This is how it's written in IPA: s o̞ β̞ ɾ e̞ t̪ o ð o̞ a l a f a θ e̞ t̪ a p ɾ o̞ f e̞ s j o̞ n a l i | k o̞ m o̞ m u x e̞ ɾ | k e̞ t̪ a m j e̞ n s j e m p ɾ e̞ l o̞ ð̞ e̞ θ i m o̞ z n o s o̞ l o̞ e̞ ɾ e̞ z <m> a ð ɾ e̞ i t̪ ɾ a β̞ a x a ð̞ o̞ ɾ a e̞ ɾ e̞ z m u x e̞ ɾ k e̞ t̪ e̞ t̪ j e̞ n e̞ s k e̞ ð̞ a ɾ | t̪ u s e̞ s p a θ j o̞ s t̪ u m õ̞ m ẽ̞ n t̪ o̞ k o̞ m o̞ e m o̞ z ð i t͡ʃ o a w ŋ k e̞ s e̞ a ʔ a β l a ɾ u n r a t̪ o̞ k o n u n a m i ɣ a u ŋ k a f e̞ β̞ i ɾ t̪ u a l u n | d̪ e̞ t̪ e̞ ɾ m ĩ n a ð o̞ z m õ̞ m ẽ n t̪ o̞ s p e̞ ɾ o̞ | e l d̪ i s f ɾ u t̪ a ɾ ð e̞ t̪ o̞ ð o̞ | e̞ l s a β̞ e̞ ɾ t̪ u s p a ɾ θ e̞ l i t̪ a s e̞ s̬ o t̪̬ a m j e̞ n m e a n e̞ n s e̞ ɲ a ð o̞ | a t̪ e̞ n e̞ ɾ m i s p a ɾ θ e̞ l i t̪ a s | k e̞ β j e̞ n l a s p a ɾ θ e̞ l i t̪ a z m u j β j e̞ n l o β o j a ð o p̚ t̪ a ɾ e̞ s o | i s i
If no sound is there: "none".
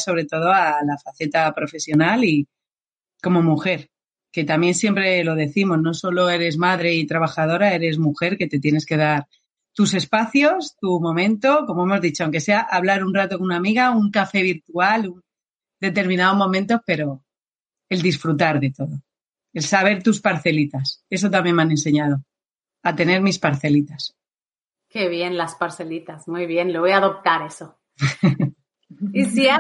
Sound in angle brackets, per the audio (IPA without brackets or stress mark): m